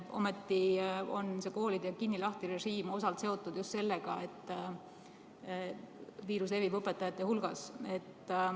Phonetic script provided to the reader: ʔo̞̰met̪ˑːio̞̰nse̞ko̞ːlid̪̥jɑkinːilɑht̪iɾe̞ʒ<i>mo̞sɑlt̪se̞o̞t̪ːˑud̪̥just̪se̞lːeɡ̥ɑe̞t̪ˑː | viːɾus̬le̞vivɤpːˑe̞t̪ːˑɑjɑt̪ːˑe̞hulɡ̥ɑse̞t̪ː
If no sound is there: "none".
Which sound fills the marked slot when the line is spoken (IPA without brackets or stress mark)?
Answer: iː